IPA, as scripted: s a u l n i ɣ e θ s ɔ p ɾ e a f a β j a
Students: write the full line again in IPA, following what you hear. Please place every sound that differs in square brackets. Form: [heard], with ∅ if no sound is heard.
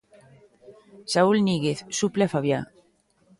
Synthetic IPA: s a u l n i ɣ e θ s [u] p [l] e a f a β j a